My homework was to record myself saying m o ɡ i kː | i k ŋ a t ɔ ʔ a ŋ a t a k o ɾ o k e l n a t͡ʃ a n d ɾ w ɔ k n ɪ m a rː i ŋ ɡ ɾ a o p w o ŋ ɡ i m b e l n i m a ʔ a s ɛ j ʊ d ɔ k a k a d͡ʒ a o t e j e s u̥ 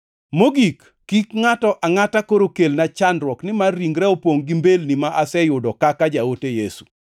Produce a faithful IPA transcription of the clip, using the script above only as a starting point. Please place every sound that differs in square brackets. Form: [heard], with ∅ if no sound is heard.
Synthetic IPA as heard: m o ɡ i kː | i k ŋ a t ɔ ʔ a ŋ a t a k o ɾ o k e l n a t͡ʃ a n d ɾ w ɔ k n ɪ m a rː i ŋ ɡ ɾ [ɛ] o p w o ŋ ɡ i m b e l n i m a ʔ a s ɛ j ʊ d ɔ k a k a d͡ʒ a o t e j e s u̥